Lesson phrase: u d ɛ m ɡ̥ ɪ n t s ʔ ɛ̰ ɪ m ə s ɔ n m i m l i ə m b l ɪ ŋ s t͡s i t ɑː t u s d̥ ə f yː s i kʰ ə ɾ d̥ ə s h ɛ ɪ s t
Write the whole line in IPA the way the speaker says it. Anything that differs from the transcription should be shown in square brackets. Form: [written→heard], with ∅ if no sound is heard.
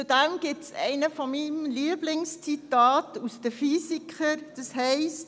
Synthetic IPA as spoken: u d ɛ m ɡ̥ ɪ [n→∅] t s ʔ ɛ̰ ɪ [m→n] ə [s→f] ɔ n m i m l i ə [m→∅] b l ɪ ŋ s t͡s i t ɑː t u s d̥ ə f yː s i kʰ ə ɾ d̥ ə s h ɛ ɪ s t

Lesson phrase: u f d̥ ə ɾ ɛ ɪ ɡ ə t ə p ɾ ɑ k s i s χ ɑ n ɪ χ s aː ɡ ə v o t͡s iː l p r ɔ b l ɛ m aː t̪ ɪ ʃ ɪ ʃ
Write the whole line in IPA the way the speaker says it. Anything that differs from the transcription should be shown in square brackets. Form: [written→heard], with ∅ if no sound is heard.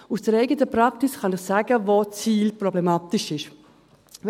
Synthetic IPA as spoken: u [f→s] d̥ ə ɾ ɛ ɪ ɡ ə t ə p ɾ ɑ k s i s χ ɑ n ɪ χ s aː ɡ ə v o t͡s iː l p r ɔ b l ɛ m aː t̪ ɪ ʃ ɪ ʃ

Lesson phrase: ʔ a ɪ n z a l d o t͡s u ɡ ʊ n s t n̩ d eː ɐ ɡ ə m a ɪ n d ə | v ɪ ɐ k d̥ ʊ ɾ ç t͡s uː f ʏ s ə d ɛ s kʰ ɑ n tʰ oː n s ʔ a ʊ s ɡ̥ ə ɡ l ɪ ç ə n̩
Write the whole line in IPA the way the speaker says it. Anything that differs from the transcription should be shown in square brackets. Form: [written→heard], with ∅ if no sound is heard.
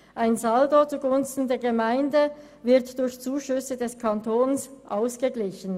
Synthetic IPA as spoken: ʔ a ɪ n z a l d o t͡s u ɡ ʊ n s t n̩ d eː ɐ ɡ ə m a ɪ n d ə | v ɪ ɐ [k→t] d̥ ʊ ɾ ç t͡s uː [f→ʃ] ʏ s ə d ɛ s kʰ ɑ n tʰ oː n s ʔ a ʊ s ɡ̥ ə ɡ l ɪ ç ə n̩

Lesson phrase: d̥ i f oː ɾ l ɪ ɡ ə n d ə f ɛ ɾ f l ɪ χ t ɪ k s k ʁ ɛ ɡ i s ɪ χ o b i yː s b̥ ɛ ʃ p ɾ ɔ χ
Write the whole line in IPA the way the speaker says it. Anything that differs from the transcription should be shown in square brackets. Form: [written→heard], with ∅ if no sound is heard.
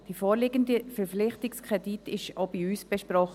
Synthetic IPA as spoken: d̥ i f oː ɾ l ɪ ɡ ə n d ə f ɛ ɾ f l ɪ χ t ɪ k s k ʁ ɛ [ɡ→d] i [s→t] ɪ [χ→ʃ] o b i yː s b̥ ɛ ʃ p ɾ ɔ χ

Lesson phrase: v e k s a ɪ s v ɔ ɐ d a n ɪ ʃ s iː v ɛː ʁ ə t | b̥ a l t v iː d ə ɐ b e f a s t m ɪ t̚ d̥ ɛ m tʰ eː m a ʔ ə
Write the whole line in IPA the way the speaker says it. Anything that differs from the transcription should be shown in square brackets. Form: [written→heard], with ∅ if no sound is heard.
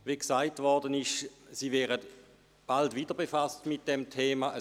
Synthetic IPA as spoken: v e k s a ɪ [s→t] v ɔ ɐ d [a→ə] n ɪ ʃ s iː v ɛː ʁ ə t | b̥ a l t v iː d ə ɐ b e f a s t m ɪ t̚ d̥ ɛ m tʰ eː m a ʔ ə

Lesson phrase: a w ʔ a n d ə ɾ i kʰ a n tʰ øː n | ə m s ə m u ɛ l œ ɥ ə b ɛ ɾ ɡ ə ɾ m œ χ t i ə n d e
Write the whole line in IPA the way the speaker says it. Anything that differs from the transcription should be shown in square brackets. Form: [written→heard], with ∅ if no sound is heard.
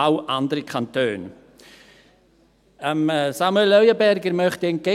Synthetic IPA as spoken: a w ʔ a n d ə ɾ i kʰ a n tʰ øː n | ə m s [ə→a] m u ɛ l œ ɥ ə b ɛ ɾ ɡ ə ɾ m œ χ t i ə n [d→ɡ] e

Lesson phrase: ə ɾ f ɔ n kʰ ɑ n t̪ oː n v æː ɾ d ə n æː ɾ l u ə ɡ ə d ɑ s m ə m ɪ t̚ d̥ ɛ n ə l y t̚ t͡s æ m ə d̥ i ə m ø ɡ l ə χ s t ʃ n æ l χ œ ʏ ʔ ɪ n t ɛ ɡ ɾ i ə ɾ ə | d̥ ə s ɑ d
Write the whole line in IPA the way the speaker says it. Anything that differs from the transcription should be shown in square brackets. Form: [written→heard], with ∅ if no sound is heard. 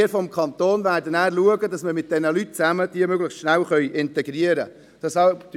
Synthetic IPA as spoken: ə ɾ f ɔ [n→m] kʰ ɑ n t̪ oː n v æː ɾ d ə n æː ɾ l u ə ɡ ə d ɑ s m ə m ɪ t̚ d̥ ɛ n ə l y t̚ t͡s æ m ə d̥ i ə m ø ɡ l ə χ s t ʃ n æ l χ œ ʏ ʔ ɪ n t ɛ ɡ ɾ i ə ɾ ə | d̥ [ə→ɑ] s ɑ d

